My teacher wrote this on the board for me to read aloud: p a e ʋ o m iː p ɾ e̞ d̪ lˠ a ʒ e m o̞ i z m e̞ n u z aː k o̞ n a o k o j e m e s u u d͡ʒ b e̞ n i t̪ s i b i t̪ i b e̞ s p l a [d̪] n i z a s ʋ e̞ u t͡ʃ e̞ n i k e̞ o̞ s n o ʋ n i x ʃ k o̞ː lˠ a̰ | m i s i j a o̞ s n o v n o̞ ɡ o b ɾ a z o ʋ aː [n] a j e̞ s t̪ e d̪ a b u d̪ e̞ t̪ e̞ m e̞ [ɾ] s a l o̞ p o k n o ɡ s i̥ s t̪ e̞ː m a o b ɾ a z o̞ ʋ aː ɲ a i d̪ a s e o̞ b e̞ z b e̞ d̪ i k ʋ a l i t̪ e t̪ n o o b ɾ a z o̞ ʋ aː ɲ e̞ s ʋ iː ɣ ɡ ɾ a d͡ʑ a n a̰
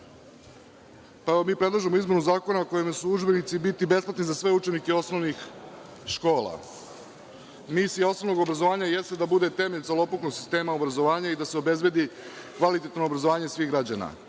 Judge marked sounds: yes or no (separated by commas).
no, no, no